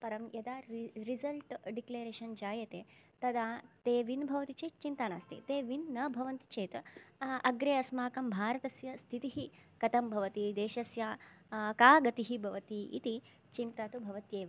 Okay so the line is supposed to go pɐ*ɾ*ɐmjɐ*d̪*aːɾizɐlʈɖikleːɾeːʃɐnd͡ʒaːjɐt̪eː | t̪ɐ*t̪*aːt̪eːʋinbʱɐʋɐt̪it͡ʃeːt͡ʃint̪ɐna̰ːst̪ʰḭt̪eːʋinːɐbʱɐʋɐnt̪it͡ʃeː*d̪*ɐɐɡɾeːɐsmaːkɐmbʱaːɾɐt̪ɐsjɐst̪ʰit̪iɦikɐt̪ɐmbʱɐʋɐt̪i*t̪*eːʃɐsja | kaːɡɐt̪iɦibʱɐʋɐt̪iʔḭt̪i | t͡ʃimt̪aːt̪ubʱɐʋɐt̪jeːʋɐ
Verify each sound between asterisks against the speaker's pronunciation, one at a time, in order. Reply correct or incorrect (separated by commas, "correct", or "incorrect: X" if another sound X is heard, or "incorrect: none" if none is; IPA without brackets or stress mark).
correct, correct, incorrect: d̪, incorrect: t̪, incorrect: d̪